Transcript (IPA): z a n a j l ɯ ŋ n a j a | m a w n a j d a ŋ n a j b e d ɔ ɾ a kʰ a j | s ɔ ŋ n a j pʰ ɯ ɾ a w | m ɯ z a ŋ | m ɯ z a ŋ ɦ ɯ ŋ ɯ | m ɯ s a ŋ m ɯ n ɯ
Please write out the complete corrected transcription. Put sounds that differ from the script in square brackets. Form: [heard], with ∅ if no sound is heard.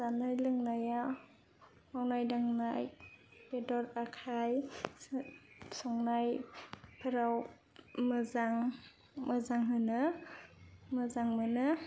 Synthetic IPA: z a n a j l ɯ ŋ n a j a | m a w n a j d a ŋ n a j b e d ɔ ɾ a kʰ a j | s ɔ ŋ n a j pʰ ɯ ɾ a w | m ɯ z a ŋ | m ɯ z a ŋ ɦ ɯ [n] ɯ | m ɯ [z] a ŋ m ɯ n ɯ